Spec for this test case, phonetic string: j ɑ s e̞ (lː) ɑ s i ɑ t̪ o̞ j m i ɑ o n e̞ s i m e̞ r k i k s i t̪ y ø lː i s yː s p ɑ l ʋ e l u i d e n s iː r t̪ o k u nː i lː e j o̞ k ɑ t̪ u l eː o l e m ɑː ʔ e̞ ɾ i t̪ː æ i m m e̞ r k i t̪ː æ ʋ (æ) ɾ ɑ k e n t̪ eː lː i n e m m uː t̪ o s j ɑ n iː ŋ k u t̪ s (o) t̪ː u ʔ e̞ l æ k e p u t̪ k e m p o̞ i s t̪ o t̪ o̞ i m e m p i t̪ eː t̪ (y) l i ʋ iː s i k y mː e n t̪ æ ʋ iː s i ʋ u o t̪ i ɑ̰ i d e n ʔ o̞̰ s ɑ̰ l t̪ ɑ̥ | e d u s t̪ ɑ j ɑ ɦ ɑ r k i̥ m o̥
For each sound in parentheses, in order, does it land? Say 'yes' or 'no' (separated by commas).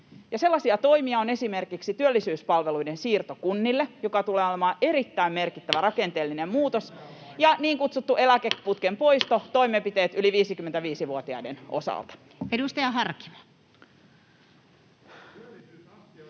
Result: yes, yes, no, yes